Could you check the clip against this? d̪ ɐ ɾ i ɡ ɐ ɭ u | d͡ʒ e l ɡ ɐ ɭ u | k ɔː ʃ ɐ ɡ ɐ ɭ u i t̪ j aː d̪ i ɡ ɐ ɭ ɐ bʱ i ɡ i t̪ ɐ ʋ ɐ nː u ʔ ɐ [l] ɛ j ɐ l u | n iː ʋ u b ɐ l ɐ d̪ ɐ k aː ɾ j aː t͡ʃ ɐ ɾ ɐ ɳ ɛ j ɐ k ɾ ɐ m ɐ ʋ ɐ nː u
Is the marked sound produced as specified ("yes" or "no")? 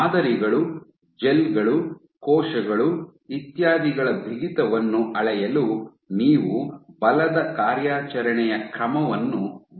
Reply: no